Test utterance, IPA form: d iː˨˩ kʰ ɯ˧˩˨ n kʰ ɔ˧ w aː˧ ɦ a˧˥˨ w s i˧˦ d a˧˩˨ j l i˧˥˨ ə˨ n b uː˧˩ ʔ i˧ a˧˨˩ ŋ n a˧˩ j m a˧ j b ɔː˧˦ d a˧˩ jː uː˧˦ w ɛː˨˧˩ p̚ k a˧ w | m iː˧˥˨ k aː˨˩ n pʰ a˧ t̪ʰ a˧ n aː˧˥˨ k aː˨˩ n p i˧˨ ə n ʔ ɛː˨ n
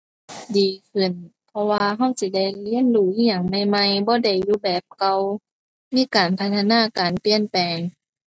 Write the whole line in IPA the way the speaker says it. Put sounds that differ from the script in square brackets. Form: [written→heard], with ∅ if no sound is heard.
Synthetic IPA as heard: d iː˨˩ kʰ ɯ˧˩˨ n [kʰ→pʰ] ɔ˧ w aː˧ ɦ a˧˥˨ w s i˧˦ d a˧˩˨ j l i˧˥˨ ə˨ n [b→d] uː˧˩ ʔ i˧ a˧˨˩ ŋ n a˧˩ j m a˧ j b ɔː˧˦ d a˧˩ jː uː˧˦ [w→b] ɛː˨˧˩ p̚ k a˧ w | m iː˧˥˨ k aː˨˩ n pʰ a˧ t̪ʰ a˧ n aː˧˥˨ k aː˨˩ n p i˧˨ ə n [ʔ→p] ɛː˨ [n→ŋ]